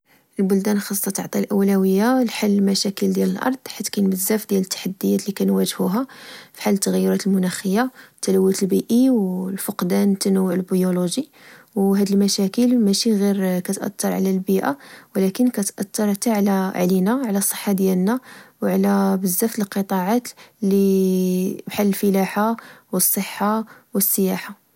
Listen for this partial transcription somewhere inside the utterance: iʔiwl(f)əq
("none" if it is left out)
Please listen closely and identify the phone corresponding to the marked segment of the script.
f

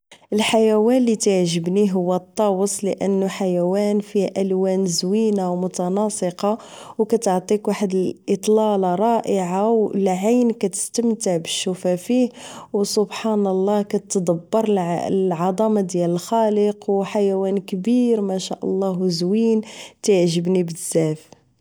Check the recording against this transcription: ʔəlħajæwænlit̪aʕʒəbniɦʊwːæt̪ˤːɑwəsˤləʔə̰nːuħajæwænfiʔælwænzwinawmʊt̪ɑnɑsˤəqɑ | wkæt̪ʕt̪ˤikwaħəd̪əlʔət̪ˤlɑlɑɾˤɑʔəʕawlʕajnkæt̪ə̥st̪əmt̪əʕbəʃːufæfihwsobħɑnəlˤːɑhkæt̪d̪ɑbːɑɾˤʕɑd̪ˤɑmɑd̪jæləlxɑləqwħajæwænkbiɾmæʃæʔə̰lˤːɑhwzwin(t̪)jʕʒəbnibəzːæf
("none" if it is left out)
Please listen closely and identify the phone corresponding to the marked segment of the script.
t̪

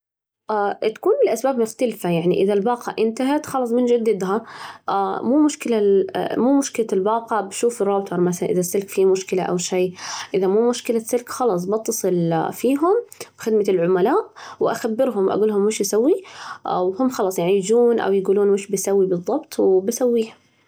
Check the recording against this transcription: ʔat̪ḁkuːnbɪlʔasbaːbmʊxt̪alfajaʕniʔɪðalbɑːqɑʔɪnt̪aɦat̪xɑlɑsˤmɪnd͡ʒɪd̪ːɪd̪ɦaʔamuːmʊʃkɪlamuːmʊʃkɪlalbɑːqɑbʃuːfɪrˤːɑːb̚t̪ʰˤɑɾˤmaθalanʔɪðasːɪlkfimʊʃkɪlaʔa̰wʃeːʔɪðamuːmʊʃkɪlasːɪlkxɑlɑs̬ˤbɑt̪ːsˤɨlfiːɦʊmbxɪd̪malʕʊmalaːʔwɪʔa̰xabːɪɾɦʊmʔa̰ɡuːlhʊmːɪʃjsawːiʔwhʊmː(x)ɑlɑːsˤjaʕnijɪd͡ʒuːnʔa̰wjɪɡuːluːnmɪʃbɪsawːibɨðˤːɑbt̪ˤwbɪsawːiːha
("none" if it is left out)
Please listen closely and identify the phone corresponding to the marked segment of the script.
x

